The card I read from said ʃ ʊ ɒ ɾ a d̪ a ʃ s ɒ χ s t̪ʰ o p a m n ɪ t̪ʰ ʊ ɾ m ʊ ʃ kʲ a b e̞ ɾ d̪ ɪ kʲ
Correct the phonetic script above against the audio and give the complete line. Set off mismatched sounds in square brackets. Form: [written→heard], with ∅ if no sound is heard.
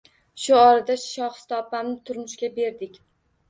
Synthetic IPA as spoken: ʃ ʊ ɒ ɾ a d̪ a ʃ [s→ʃ] ɒ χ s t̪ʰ [o→ɒ] p a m n ɪ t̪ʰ ʊ ɾ m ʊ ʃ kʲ a b e̞ ɾ d̪ ɪ kʲ